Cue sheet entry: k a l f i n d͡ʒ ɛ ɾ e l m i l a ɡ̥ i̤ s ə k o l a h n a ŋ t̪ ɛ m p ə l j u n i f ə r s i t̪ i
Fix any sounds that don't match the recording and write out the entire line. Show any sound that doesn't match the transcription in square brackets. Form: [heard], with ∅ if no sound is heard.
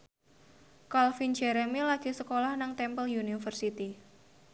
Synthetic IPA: k a l f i n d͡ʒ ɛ ɾ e [∅] m i l a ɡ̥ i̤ s ə k o l a h n a ŋ t̪ ɛ m p ə l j u n i f ə r s i t̪ i